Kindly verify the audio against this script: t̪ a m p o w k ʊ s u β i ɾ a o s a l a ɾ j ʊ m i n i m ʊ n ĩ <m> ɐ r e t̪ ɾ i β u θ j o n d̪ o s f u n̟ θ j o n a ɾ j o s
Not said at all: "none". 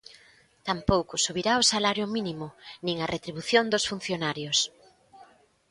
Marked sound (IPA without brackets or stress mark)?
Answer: ŋ